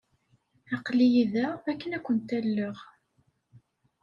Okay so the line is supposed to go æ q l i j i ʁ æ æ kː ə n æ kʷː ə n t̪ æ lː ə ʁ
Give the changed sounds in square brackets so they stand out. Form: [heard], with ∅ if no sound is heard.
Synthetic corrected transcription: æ q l i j i [ð] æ æ kː ə n æ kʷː ə n t̪ æ lː ə ʁ